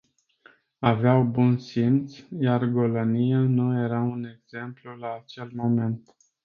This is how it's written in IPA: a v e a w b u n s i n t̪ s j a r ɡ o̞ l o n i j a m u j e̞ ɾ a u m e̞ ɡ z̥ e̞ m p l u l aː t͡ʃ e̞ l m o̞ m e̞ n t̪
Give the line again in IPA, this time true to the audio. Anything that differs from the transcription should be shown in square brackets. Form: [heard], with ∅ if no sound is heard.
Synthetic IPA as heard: a v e a w b u n s i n t̪ s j a r ɡ o̞ l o n i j a [n] u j e̞ ɾ a u [n] e̞ ɡ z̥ e̞ m p l u l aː t͡ʃ e̞ l m o̞ m e̞ n t̪